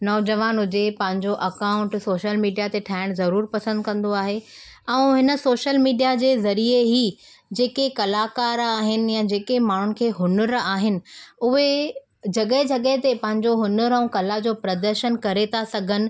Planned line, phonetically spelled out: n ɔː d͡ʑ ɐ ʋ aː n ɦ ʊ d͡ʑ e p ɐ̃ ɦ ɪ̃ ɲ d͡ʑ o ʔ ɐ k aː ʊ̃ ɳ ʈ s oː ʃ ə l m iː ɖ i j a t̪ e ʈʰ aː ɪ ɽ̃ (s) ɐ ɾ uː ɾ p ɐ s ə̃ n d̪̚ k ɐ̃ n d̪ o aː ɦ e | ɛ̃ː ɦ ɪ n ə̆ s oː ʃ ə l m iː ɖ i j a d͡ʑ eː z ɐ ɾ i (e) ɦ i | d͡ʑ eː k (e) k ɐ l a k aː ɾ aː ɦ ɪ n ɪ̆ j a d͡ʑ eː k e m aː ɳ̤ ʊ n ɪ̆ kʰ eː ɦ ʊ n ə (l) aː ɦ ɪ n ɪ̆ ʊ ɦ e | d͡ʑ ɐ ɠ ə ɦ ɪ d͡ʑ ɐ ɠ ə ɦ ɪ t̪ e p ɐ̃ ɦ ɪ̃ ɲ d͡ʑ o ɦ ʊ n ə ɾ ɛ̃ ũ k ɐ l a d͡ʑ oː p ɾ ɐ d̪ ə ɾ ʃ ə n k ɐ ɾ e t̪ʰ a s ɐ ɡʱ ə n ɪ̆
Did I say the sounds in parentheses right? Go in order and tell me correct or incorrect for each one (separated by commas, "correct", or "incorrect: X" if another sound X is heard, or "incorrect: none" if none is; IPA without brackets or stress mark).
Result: incorrect: z, correct, correct, incorrect: ɾ